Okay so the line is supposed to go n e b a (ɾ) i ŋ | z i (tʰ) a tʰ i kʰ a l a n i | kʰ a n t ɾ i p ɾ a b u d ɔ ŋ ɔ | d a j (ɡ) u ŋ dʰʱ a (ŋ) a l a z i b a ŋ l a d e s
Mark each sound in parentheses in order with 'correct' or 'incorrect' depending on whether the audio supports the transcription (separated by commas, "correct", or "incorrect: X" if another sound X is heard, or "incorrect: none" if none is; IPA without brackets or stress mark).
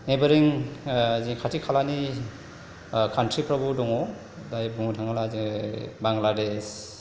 correct, incorrect: kʰ, incorrect: b, correct